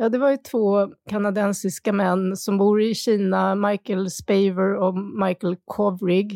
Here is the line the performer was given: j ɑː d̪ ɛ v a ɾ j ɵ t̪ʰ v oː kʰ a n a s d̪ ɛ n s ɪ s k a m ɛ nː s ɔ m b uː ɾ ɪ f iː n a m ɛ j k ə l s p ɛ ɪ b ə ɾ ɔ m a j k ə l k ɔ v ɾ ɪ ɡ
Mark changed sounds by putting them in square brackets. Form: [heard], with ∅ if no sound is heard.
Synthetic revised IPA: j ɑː d̪ ɛ v a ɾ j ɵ t̪ʰ v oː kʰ a n a [∅] d̪ ɛ n s ɪ s k a m ɛ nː s ɔ m b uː ɾ ɪ [ɕ] iː n a m [a] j k ə l s p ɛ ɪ [v] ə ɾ ɔ m a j k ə l [kʰ] ɔ v ɾ ɪ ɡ